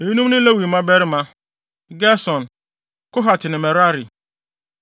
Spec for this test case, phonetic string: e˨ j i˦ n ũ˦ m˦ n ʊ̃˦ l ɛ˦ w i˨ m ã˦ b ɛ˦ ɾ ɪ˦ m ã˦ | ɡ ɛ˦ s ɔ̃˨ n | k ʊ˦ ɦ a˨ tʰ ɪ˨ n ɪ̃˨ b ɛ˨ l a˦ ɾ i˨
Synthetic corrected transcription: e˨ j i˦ n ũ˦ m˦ n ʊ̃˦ l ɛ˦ w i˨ m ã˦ b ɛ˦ ɾ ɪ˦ m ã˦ | ɡ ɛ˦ s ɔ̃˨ n | k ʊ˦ ɦ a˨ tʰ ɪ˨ n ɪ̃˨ m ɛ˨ ɾ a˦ ɾ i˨